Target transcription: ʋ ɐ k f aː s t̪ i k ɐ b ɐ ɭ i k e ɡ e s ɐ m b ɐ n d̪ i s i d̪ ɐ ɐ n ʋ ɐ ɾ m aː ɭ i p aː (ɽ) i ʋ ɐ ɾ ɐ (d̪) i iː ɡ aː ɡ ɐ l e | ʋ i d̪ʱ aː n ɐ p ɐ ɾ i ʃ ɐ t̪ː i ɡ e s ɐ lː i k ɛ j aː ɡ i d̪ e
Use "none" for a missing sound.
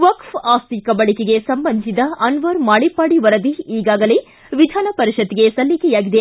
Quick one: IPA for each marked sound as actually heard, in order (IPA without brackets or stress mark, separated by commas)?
ɽ, d̪